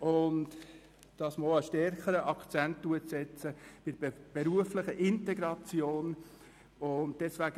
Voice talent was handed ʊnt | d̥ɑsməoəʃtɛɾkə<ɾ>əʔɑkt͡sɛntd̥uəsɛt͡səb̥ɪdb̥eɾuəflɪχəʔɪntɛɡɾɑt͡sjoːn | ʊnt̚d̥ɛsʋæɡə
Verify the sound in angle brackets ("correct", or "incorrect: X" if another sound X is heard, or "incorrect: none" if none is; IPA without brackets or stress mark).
correct